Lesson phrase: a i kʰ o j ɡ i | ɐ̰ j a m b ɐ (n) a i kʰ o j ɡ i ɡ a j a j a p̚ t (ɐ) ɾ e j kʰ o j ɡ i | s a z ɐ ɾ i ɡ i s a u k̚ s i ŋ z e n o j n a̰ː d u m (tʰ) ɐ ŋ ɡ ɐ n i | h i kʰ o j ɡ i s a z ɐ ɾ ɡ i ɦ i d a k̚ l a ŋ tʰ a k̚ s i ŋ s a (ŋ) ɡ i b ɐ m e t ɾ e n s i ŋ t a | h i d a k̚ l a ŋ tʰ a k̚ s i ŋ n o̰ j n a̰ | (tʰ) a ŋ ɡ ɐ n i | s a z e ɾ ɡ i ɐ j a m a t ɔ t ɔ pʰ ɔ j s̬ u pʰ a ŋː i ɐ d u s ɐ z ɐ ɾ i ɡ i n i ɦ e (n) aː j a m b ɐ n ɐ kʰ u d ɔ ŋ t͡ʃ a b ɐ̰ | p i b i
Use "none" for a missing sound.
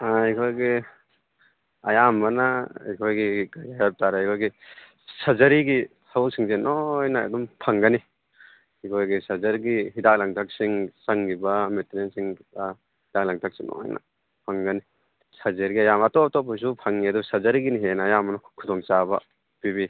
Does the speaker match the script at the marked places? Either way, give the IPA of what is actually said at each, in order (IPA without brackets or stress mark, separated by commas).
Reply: n, a, pʰ, ŋ, pʰ, n